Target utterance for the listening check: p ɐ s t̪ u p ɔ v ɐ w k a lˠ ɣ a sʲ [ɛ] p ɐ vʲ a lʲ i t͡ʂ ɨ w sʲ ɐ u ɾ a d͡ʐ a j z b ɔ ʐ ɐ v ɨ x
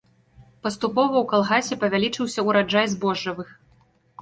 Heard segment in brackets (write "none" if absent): ɛ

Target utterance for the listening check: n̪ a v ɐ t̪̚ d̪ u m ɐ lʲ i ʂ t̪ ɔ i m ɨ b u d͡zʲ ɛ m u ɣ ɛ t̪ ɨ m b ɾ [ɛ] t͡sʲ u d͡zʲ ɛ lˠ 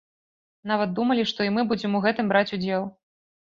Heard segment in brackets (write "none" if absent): a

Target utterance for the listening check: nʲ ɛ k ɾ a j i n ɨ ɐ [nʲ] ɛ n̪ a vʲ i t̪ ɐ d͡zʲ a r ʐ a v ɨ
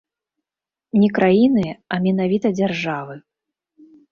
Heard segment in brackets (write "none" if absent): mʲ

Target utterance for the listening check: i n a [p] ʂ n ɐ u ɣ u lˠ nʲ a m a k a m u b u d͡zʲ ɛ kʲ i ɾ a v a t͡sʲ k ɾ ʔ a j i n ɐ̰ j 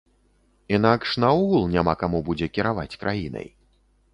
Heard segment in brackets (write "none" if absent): k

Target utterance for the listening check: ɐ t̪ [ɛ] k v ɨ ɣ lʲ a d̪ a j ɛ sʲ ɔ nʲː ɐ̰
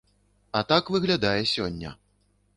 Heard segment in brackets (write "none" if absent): a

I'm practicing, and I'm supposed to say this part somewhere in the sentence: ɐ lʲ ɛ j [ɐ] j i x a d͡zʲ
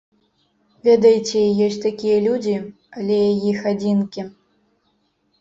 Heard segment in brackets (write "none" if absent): a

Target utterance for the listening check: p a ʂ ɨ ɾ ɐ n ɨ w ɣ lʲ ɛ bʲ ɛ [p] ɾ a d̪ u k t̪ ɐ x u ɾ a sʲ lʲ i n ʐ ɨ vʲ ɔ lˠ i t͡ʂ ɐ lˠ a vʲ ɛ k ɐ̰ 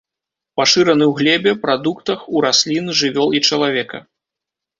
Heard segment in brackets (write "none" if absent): p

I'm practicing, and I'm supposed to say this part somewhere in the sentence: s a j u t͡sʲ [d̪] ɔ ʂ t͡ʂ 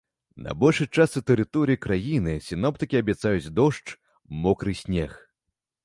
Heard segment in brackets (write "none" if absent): d̪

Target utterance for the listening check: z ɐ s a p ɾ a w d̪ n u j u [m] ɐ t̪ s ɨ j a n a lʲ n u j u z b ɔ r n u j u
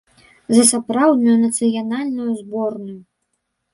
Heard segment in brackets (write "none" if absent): n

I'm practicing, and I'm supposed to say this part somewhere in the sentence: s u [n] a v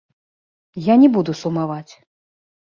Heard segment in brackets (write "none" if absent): m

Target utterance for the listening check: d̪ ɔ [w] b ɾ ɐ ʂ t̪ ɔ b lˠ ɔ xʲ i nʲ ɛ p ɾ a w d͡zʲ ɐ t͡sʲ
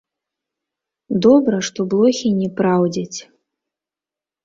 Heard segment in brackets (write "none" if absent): none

